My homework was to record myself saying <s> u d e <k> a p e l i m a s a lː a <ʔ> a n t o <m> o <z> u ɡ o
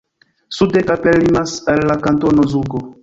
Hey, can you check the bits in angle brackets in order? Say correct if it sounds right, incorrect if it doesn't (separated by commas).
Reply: correct, correct, incorrect, incorrect, correct